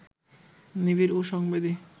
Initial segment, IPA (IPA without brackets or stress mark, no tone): n